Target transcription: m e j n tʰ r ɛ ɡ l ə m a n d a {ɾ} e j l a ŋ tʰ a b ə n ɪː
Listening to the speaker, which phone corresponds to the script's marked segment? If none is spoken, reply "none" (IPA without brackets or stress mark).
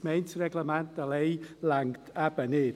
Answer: l